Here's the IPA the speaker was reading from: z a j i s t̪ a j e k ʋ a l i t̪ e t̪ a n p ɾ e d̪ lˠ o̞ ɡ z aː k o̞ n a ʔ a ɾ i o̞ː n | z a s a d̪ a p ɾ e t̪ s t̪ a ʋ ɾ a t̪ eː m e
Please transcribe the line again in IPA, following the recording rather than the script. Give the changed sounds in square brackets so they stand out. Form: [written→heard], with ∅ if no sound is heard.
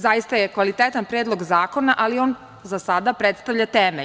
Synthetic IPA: z a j i s t̪ a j e k ʋ a l i t̪ e t̪ a n p ɾ e d̪ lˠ o̞ ɡ z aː k o̞ n a ʔ a [ɾ→l] i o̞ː n | z a s a d̪ a p ɾ e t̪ s t̪ a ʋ [ɾ→ʎ] a t̪ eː m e